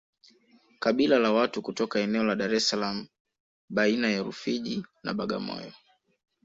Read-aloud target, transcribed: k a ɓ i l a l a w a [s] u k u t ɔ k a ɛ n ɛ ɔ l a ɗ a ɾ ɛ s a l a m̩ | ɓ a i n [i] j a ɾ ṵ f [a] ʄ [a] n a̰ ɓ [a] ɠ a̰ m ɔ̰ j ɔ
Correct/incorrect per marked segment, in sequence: incorrect: t, incorrect: a, incorrect: i, incorrect: i, correct

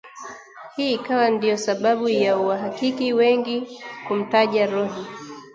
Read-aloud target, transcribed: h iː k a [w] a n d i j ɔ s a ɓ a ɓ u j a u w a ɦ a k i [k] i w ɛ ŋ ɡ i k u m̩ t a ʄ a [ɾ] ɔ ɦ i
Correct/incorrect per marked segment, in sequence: correct, correct, correct

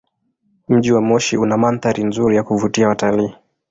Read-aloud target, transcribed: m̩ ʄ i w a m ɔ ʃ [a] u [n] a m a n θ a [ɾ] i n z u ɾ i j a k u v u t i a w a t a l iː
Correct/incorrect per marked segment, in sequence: incorrect: i, correct, correct

